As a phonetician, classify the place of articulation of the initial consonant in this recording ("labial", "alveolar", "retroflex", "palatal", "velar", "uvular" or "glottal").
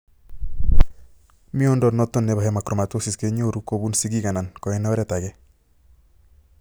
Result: labial